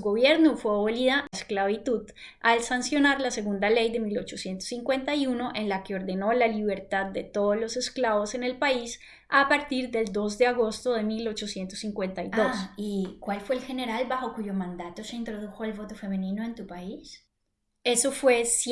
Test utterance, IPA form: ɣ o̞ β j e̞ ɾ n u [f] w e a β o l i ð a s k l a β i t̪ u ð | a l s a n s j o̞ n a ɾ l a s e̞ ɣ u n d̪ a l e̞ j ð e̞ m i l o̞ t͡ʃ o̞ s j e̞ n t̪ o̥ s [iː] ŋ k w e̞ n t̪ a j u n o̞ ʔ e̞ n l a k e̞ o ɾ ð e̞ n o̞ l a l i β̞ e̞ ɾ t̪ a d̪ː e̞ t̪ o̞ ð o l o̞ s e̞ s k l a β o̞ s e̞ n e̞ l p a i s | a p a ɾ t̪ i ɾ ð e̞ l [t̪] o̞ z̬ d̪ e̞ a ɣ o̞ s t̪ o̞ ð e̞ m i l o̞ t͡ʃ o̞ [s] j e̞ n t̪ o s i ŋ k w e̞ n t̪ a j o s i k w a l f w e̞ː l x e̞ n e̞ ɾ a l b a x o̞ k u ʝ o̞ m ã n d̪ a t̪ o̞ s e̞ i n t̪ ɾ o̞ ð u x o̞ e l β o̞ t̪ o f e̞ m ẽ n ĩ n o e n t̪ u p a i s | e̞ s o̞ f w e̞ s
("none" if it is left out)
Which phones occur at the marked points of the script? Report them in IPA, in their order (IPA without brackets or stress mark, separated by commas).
f, i, d̪, s